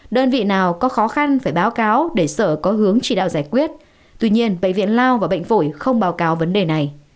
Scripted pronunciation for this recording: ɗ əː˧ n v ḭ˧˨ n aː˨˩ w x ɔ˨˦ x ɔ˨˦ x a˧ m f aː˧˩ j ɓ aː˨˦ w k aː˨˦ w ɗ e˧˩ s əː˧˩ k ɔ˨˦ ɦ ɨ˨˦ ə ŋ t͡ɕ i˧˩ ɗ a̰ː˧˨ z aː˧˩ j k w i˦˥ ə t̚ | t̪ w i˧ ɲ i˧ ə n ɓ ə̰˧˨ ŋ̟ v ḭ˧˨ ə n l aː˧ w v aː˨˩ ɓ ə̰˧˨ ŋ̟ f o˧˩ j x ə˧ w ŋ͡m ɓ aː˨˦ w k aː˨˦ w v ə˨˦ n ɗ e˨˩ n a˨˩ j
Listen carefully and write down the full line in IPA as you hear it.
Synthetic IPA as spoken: ɗ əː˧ n v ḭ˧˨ n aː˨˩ w k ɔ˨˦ x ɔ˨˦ x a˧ n f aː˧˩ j ɓ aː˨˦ w k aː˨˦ w ɗ e˧˩ s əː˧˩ k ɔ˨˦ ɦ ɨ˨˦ ə ŋ t͡ɕ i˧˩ ɗ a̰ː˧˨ z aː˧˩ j k w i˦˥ ə t̚ | t̪ w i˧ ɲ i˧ ə n ɓ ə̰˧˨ ŋ̟ v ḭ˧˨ ə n l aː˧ w v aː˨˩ ɓ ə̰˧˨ ŋ̟ f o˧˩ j x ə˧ w ŋ͡m ɓ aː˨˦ w k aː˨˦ w v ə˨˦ n ɗ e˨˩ n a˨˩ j